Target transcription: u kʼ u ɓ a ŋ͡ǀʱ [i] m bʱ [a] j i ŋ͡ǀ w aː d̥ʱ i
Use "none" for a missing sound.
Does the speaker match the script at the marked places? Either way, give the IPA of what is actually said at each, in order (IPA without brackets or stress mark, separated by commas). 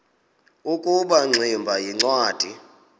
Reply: i, a